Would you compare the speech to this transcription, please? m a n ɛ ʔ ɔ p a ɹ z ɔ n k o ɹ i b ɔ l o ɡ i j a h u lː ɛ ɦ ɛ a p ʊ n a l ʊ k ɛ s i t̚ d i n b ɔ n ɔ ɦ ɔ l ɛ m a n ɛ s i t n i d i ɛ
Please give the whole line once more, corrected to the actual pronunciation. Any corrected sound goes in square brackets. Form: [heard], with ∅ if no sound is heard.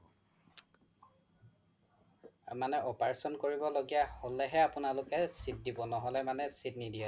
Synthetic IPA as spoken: m a n ɛ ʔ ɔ p a ɹ [s] ɔ n k o ɹ i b ɔ l o ɡ i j a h [o] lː ɛ ɦ ɛ a p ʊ n a l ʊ k ɛ s i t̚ d i [∅] b ɔ n ɔ ɦ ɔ l ɛ m a n ɛ s i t n i d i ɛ